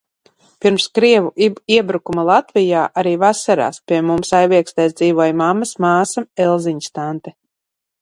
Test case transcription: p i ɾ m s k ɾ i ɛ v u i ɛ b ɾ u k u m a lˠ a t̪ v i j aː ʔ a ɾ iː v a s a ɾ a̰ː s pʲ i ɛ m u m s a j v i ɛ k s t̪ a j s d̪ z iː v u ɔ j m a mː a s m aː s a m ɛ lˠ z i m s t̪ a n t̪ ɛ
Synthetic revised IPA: p i ɾ m s k ɾ i ɛ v u i ɛ b ɾ u k u m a lˠ a t̪ v i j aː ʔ a ɾ iː v a s a ɾ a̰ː s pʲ i ɛ m u m s a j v i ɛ k s t̪ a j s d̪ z iː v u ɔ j m a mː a s m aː s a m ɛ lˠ z i ɲ s t̪ a n t̪ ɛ